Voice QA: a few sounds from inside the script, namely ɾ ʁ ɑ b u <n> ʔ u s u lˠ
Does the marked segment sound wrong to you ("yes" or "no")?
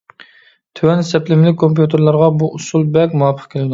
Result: yes